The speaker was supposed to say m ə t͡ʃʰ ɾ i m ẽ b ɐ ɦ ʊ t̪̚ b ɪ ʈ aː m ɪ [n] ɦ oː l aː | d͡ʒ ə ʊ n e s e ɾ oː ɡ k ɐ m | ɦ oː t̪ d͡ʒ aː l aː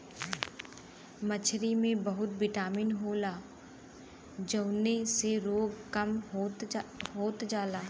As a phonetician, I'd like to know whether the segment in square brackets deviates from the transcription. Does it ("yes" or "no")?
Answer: no